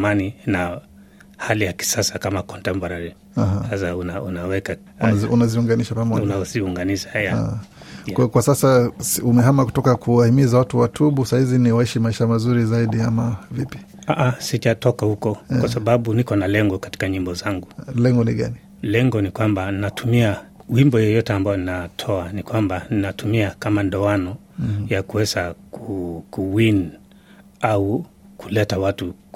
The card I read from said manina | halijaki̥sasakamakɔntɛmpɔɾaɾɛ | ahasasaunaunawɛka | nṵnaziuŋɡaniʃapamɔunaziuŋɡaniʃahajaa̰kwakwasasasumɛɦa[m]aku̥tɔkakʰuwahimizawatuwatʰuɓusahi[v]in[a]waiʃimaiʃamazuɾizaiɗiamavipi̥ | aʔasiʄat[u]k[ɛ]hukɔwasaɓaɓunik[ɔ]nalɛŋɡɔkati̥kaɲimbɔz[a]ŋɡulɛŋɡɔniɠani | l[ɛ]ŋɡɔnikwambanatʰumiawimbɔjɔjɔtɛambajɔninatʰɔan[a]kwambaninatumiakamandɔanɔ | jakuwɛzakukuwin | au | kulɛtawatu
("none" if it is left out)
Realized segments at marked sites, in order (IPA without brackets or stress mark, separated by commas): m, z, i, ɔ, a, ɔ, a, ɛ, i